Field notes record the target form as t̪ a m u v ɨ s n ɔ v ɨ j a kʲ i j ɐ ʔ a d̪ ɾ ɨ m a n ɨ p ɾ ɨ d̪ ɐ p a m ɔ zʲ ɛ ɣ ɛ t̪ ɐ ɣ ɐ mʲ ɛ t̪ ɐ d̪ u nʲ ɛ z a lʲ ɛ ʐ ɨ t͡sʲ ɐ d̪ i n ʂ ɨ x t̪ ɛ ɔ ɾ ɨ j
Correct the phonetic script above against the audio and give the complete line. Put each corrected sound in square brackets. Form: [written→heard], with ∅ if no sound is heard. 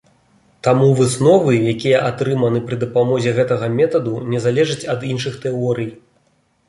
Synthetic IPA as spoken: t̪ a m u v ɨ s n ɔ v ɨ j a kʲ i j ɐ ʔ a [d̪→t̪] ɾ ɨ m [a→ɐ] n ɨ p ɾ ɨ d̪ ɐ p a m ɔ zʲ ɛ ɣ ɛ t̪ ɐ ɣ ɐ mʲ ɛ t̪ ɐ d̪ u nʲ ɛ z a lʲ ɛ ʐ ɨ t͡sʲ ɐ d̪ i n ʂ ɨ x t̪ ɛ ɔ ɾ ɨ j